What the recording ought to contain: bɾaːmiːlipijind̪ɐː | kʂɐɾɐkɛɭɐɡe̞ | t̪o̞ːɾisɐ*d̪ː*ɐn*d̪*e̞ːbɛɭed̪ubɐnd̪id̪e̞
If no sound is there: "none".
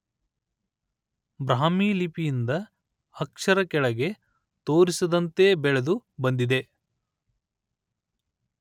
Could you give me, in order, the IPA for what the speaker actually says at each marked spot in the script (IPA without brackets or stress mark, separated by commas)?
d̪, t̪